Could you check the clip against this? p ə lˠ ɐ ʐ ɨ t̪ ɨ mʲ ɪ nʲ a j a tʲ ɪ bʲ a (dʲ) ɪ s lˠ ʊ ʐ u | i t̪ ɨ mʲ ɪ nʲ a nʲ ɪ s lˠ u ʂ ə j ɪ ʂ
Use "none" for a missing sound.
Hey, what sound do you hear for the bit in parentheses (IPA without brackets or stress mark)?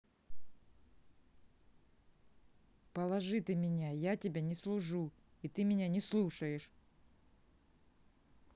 nʲ